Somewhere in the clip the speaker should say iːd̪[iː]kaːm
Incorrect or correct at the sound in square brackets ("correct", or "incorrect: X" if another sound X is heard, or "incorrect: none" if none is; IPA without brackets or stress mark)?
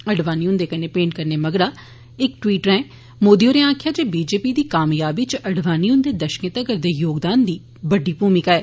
correct